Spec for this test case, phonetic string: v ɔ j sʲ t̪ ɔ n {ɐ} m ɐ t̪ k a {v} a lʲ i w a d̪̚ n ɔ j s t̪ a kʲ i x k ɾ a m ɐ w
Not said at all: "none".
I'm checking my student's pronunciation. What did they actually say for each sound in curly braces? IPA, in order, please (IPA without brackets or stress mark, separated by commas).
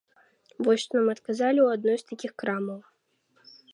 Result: a, z